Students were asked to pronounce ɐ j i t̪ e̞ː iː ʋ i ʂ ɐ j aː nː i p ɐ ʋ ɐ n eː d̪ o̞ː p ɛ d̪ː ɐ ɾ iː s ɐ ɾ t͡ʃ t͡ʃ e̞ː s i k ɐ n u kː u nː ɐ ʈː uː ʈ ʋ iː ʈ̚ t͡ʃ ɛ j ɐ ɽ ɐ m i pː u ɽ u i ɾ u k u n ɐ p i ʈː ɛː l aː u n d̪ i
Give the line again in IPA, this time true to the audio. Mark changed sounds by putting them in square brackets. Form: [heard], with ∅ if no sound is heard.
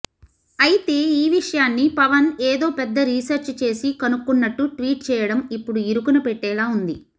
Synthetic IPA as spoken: ɐ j i t̪ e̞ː iː ʋ i ʂ ɐ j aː nː i p ɐ ʋ ɐ n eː d̪ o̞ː p ɛ d̪ː ɐ ɾ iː s ɐ ɾ t͡ʃ t͡ʃ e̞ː s i k ɐ n u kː u nː ɐ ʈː [u] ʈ ʋ iː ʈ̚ t͡ʃ [ɛː] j ɐ ɽ ɐ m i pː u ɽ u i ɾ u k u n ɐ p [ɛ] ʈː ɛː l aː u n d̪ i

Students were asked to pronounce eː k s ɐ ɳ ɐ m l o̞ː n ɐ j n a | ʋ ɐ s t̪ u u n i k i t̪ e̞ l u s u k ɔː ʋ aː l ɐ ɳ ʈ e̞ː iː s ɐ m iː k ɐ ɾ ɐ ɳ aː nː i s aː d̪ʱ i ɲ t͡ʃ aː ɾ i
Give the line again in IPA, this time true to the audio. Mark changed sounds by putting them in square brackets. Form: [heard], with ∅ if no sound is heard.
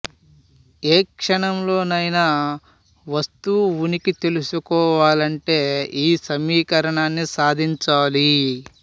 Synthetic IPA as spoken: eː k [ʂ] ɐ ɳ ɐ m l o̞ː n ɐ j n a | ʋ ɐ s t̪ u u n i k i t̪ e̞ l u s u k ɔː ʋ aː l ɐ ɳ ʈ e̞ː iː s ɐ m iː k ɐ ɾ ɐ ɳ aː nː i s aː d̪ʱ i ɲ t͡ʃ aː [l] i

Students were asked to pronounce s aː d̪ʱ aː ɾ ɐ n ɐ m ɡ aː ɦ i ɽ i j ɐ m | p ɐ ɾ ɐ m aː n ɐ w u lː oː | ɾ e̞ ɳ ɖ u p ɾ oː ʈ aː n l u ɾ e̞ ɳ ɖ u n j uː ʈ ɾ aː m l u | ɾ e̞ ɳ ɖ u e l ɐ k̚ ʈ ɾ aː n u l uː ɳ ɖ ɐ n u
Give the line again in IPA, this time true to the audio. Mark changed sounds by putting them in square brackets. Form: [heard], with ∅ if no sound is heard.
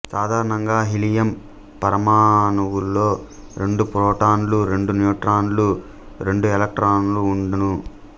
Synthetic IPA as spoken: s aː d̪ʱ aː ɾ ɐ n ɐ [ŋ] ɡ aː ɦ i [l] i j ɐ m | p ɐ ɾ ɐ m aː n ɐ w u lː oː | ɾ e̞ ɳ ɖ u p ɾ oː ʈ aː n l u ɾ e̞ ɳ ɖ u n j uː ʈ ɾ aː [n] l u | ɾ e̞ ɳ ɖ u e l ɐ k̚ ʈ ɾ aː n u l uː ɳ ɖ ɐ n u

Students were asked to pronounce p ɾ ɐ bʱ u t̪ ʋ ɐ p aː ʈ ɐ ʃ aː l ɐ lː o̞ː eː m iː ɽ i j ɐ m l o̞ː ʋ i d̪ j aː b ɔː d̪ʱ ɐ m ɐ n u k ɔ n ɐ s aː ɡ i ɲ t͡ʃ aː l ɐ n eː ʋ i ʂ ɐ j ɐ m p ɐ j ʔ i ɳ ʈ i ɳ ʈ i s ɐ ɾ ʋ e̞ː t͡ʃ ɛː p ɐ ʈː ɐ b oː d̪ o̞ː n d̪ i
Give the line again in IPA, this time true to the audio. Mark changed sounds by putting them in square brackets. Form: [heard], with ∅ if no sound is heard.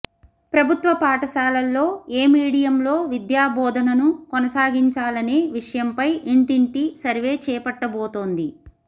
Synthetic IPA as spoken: p ɾ ɐ bʱ u t̪ ʋ ɐ p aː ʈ ɐ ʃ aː l ɐ lː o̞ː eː m iː ɽ i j ɐ m l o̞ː ʋ i d̪ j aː b ɔː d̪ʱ ɐ [n] ɐ n u k ɔ n ɐ s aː ɡ i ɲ t͡ʃ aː l ɐ n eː ʋ i ʂ ɐ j ɐ m p ɐ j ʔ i ɳ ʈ i ɳ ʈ i s ɐ ɾ ʋ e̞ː t͡ʃ ɛː p ɐ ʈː ɐ b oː [t̪] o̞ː n d̪ i

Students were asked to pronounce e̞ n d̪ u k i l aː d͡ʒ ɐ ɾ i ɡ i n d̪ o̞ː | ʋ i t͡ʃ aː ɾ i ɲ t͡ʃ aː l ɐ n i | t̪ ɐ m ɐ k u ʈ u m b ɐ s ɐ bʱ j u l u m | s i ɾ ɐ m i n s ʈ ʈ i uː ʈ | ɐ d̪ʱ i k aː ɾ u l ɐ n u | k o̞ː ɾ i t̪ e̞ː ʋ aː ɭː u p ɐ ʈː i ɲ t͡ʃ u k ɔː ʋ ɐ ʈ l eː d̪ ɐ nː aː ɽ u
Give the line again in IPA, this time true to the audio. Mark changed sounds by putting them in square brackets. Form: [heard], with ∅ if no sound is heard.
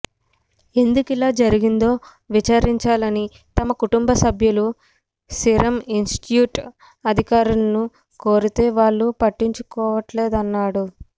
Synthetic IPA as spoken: e̞ n d̪ u k i l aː d͡ʒ ɐ ɾ i ɡ i n d̪ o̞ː | ʋ i t͡ʃ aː ɾ i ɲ t͡ʃ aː l ɐ n i | t̪ ɐ m ɐ k u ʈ u m b ɐ s ɐ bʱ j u l u [∅] | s i ɾ ɐ m i n s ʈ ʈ [j] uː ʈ | ɐ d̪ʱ i k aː ɾ u l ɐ n u | k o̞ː ɾ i t̪ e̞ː ʋ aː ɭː u p ɐ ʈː i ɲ t͡ʃ u k ɔː ʋ ɐ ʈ l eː d̪ ɐ nː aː ɽ u

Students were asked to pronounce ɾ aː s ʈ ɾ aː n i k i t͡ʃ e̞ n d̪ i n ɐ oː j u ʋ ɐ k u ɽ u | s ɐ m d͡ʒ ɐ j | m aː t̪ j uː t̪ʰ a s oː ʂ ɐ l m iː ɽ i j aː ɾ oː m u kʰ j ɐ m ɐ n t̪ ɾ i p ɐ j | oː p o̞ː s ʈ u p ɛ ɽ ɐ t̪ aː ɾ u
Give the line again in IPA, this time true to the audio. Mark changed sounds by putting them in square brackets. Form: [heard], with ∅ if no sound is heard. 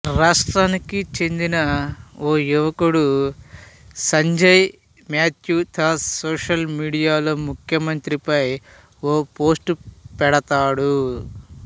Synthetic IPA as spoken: ɾ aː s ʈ ɾ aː n i k i t͡ʃ e̞ n d̪ i n ɐ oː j u ʋ ɐ k u ɽ u | s ɐ [ɲ] d͡ʒ ɐ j | m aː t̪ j uː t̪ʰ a s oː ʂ ɐ l m iː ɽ i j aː [l] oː m u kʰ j ɐ m ɐ n t̪ ɾ i p ɐ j | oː p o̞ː s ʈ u p ɛ ɽ ɐ t̪ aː [ɽ] u

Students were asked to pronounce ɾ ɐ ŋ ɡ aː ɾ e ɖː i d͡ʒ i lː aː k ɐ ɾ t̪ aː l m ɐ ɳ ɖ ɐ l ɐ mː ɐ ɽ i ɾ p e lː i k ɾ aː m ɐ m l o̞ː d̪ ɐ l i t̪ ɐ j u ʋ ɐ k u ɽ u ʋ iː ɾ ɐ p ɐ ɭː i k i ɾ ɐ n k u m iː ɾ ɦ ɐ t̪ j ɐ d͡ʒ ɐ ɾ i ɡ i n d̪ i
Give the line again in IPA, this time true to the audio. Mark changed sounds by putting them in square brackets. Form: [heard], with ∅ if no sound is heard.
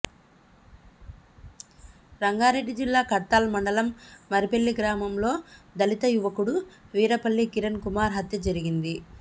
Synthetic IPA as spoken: ɾ ɐ ŋ ɡ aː ɾ e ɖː i d͡ʒ i lː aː k ɐ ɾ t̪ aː l m ɐ ɳ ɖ ɐ l ɐ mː ɐ [ɾ] i [∅] p e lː i [ɡ] ɾ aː m ɐ m l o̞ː d̪ ɐ l i t̪ ɐ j u ʋ ɐ k u ɽ u ʋ iː ɾ ɐ p ɐ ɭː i k i ɾ ɐ n k u m [aː] ɾ ɦ ɐ t̪ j ɐ d͡ʒ ɐ ɾ i ɡ i n d̪ i

